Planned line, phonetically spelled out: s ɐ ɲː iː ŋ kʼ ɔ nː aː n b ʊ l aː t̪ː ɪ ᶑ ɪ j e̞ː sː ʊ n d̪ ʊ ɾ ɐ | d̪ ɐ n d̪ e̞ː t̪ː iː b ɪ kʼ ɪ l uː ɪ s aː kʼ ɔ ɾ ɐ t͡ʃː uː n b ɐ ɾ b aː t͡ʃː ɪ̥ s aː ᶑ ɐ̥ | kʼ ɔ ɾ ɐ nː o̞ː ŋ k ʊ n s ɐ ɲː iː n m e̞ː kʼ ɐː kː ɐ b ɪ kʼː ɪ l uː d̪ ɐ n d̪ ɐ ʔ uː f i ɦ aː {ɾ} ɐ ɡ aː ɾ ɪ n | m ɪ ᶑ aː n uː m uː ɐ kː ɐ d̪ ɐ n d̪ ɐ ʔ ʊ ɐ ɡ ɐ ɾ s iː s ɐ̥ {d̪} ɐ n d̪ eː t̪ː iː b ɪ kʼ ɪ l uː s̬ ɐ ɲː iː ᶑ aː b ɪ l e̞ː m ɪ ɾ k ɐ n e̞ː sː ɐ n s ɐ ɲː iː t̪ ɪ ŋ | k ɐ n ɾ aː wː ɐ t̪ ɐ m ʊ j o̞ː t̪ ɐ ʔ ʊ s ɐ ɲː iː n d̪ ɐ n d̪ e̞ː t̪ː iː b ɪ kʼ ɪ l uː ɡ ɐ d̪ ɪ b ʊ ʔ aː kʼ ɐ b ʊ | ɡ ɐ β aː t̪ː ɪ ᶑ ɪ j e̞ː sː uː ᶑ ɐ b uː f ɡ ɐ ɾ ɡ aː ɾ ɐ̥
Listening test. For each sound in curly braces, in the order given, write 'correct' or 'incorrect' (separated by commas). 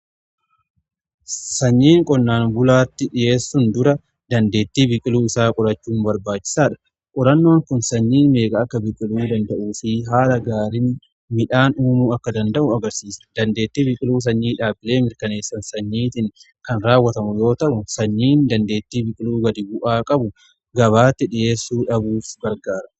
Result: incorrect, correct